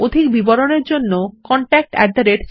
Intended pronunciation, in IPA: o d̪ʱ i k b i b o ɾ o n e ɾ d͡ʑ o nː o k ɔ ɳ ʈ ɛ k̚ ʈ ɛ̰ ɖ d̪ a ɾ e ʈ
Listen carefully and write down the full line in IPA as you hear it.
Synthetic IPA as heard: o d̪ʱ i k b i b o ɾ o n e ɾ d͡ʑ o nː o k ɔ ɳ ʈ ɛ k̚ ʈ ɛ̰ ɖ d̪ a ɾ e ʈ